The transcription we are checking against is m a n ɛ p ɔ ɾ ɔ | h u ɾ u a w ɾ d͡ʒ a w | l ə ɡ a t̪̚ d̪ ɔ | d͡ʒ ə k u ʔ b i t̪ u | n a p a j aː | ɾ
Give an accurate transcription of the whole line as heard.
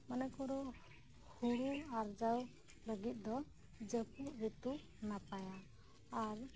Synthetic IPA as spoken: m a n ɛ k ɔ ɾ ɔ | h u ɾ u a ɾ d͡ʒ a w | l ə ɡ i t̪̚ d̪ ɔ | d͡ʒ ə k u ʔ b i t̪ u | n a p a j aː | ɾ